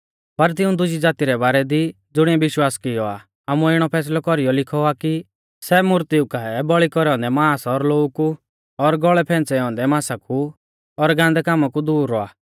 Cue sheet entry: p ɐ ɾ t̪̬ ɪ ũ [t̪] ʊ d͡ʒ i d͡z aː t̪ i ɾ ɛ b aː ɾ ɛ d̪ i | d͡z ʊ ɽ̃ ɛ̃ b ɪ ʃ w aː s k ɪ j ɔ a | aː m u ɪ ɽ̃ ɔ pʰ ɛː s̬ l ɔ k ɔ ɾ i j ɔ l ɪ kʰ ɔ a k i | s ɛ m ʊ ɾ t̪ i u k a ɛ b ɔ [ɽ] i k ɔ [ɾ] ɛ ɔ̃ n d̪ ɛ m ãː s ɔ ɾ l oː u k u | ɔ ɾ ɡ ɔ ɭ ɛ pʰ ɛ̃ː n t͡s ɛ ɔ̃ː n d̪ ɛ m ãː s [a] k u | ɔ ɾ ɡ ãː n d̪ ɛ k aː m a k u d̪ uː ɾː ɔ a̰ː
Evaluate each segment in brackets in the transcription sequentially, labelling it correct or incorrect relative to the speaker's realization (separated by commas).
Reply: incorrect, incorrect, correct, correct